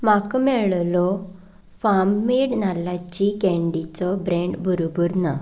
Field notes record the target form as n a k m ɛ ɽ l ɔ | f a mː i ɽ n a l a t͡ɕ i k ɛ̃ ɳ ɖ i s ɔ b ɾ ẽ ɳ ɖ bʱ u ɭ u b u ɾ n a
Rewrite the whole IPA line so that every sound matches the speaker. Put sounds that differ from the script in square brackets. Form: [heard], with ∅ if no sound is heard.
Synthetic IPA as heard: [m] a k m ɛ [ɭ] l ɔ | f a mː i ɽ n a l a t͡ɕ i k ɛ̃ ɳ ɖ i [t͡s] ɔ b ɾ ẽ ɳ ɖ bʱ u [ɾ] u b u ɾ n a

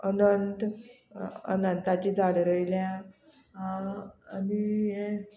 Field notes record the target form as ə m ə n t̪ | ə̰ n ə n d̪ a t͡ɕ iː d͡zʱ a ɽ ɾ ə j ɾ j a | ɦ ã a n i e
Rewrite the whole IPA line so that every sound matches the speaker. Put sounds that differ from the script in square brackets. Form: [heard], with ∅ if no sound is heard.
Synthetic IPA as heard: ə [n] ə n t̪ | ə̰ n ə n [t̪] a t͡ɕ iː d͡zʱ a ɽ ɾ ə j [l] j a | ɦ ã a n i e

